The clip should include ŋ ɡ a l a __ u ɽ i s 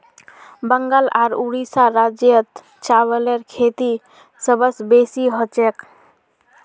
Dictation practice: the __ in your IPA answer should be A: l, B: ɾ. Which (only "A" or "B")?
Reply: B